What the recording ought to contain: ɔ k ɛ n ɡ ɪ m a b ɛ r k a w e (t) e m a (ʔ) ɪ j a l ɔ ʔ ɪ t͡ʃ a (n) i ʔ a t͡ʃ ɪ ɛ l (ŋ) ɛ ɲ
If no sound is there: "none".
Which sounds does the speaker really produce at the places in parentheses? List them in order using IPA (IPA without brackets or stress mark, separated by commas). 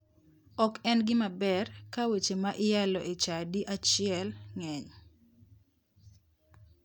t͡ʃ, ʔ, d, ŋ